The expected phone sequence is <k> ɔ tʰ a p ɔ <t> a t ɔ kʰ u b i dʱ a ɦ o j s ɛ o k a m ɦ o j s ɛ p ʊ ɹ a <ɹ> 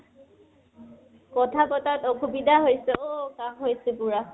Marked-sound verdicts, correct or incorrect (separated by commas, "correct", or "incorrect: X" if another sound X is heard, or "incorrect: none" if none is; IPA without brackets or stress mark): correct, correct, incorrect: none